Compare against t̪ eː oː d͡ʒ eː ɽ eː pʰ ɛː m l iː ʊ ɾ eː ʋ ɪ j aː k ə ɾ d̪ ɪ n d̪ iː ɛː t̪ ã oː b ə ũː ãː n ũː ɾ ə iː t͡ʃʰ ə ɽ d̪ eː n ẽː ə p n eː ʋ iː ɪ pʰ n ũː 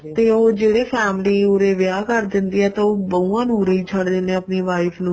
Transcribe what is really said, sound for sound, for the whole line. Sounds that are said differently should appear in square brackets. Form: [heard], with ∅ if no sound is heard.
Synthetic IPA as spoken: t̪ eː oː d͡ʒ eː ɽ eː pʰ ɛː m l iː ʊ ɾ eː ʋ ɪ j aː k ə ɾ d̪ ɪ n d̪ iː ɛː t̪ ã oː b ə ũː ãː n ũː ɾ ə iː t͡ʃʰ ə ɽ d̪ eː n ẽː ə p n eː ʋ [aː] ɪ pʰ n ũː